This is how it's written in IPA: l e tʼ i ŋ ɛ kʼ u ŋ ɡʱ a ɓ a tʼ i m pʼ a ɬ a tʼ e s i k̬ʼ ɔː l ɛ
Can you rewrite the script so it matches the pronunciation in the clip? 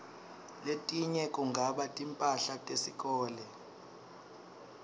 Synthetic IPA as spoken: l e tʼ i ɲ ɛ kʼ u ŋ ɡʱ a ɓ a tʼ i m pʼ a ɬ a tʼ e s i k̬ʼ ɔː l ɛ

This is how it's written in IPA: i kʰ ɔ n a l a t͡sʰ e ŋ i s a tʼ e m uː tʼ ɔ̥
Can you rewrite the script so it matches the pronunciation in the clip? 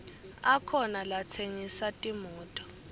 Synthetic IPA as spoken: a kʰ ɔ n a l a t͡sʰ e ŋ i s a tʼ i m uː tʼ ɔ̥

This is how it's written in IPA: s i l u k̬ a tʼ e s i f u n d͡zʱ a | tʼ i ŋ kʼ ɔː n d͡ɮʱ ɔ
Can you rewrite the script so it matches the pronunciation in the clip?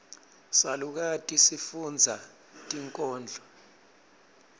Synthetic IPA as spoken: s a l u k̬ a tʼ i s i f u n d͡zʱ a | tʼ i ŋ kʼ ɔː n d͡ɮʱ ɔ

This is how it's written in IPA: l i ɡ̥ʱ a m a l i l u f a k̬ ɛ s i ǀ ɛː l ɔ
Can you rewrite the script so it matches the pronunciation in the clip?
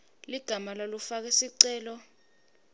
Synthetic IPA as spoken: l i ɡ̥ʱ a m a l a l u f a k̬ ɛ s i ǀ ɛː l ɔ

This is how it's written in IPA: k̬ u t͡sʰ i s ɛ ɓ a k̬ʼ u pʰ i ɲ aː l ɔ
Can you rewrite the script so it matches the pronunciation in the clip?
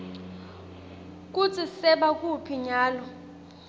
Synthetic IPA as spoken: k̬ u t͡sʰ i s ɛ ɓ a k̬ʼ u pʰ i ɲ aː l ɔ

